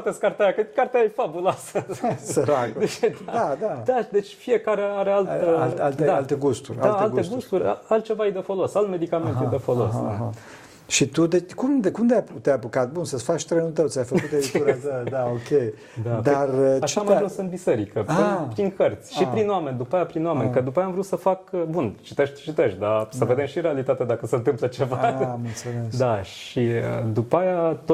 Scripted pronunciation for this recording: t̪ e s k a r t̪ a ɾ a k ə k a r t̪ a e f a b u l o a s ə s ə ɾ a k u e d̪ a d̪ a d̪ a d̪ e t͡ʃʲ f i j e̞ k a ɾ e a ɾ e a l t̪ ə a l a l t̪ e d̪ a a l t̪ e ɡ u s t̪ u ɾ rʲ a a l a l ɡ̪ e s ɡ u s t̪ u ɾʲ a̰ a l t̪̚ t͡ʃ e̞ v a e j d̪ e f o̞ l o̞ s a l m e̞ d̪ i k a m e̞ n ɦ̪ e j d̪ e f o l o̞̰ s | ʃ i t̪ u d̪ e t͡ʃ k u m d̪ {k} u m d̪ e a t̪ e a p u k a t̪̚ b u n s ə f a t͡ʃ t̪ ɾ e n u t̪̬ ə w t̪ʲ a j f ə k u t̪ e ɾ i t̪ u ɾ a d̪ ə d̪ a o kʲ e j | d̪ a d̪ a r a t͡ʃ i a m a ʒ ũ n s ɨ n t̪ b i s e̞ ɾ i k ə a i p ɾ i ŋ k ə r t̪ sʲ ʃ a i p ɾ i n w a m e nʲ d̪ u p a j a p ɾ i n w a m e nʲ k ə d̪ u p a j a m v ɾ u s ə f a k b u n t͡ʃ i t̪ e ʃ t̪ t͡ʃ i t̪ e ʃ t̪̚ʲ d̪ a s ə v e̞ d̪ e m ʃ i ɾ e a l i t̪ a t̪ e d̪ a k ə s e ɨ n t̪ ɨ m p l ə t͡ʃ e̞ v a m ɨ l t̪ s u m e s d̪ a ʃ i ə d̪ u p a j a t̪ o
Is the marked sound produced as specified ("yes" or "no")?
yes